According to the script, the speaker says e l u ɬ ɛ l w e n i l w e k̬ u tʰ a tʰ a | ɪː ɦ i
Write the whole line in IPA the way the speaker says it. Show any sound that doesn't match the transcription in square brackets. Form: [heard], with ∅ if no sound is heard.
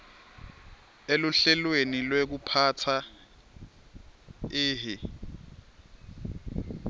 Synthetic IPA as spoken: e l u ɬ ɛ l w e n i l w e k̬ u [pʰ] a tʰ a | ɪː ɦ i